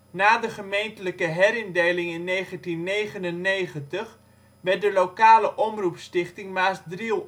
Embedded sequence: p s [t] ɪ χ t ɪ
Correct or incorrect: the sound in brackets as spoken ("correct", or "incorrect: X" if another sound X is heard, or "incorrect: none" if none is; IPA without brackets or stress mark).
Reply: correct